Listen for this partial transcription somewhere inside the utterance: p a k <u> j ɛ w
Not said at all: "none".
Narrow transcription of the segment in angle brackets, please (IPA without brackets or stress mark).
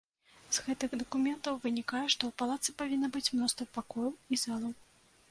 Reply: ɔ